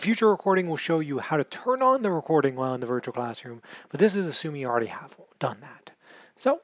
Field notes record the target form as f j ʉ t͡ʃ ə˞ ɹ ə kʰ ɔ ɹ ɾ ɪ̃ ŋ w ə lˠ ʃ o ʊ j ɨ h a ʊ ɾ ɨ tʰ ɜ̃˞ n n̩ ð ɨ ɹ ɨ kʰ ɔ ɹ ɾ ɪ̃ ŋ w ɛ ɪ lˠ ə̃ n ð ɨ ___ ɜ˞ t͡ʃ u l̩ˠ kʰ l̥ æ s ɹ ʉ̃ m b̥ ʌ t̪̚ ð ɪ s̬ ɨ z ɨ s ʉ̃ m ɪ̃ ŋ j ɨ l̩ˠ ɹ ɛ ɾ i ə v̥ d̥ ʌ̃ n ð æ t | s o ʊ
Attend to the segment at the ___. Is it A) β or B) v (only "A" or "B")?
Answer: B